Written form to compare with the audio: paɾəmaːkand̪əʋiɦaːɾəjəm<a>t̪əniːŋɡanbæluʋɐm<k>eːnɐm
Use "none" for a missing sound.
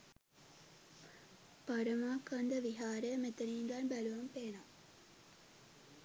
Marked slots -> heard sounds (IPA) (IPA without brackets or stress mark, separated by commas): e, p